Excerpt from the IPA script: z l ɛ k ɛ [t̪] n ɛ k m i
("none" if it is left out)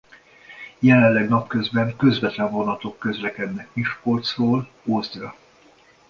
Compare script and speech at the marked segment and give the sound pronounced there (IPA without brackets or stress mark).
d̪